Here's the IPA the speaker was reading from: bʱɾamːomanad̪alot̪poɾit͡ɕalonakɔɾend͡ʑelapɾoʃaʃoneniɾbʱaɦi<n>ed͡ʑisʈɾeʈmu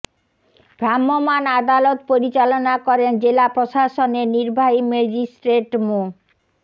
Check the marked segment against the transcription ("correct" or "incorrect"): incorrect